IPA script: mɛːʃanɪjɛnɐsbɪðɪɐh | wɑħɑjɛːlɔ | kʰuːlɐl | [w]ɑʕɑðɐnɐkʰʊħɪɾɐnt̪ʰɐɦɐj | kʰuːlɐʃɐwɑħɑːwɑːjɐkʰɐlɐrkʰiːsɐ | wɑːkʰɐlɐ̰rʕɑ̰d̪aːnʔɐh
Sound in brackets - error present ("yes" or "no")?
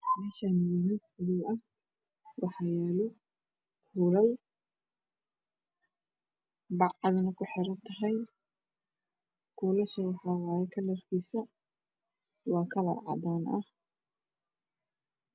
yes